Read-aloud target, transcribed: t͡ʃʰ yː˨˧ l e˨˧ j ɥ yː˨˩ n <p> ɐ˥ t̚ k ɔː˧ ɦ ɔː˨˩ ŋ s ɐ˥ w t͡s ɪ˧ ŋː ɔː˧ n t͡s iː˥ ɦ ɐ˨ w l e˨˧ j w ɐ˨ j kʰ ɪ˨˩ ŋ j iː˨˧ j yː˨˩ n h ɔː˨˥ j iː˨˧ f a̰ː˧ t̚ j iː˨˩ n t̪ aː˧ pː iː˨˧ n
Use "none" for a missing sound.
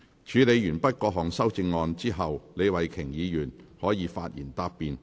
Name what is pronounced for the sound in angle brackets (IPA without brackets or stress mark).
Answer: p